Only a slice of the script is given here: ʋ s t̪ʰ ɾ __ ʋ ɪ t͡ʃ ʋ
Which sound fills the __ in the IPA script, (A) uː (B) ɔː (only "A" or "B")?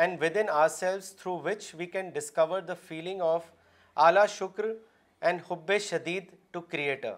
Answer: A